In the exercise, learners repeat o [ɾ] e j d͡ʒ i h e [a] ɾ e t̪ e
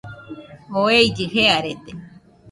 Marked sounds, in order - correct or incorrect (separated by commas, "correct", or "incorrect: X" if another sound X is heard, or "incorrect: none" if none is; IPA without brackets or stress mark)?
incorrect: none, correct